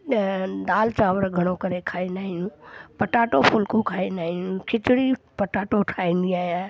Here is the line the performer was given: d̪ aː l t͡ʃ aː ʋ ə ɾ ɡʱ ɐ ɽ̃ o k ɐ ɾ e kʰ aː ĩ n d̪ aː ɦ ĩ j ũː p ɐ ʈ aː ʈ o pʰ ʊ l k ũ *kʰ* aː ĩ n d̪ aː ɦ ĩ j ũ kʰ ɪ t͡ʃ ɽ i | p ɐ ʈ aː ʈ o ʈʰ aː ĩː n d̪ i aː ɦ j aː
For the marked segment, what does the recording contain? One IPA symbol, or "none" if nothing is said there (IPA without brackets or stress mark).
kʰ